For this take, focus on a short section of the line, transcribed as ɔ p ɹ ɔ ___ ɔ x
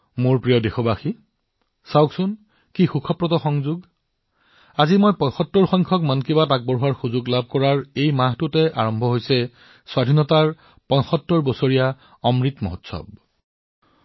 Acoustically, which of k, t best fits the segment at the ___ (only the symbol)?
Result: t